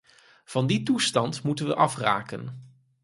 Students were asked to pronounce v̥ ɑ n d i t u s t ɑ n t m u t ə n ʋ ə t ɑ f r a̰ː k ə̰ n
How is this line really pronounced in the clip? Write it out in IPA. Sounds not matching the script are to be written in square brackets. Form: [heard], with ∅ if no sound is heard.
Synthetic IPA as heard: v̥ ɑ n d i t u s t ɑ n t m u t ə n ʋ ə [ʔ] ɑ f r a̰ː k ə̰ n